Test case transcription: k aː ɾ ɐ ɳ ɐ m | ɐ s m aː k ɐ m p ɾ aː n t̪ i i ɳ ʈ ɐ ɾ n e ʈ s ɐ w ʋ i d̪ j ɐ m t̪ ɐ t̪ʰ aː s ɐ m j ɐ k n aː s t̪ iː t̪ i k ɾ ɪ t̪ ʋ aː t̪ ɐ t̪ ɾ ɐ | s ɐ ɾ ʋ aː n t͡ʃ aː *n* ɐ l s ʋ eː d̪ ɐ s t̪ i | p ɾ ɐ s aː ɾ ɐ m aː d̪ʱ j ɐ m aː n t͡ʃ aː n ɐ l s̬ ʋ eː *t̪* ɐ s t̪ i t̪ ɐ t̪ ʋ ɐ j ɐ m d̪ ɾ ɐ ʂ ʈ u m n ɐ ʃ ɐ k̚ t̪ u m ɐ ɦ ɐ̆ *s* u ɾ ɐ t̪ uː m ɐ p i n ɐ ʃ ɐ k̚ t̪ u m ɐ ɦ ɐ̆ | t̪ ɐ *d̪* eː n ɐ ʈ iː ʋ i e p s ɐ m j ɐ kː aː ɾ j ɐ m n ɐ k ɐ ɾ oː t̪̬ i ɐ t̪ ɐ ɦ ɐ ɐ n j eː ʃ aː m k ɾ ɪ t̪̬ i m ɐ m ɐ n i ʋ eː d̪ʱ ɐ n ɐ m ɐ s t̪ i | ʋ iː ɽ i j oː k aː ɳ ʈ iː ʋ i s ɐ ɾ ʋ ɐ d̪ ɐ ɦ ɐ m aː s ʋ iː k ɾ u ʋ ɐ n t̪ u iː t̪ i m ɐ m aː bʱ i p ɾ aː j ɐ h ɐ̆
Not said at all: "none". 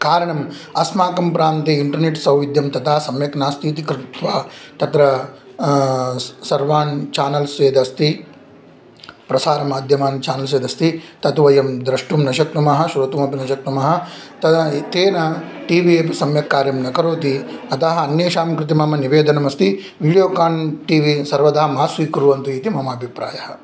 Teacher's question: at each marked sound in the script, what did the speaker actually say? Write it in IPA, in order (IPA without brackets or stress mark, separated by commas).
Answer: n, d̪, ʃ, t̪